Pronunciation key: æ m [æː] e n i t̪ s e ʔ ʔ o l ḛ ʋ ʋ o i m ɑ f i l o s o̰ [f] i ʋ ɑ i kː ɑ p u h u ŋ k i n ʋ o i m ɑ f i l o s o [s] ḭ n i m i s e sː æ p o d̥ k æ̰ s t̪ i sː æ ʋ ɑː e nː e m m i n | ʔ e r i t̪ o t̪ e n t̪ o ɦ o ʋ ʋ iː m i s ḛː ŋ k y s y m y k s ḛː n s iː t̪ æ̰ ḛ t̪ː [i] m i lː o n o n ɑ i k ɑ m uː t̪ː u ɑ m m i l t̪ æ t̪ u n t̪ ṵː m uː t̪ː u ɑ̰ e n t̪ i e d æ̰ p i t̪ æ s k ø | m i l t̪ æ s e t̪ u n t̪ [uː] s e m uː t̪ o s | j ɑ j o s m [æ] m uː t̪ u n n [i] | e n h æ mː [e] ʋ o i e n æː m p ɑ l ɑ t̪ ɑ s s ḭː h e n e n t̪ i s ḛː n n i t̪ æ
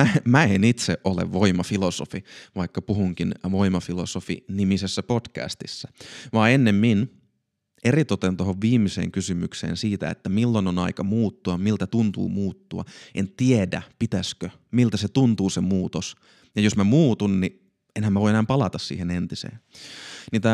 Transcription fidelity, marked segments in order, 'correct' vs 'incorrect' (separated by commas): incorrect, correct, incorrect, incorrect, correct, correct, correct, incorrect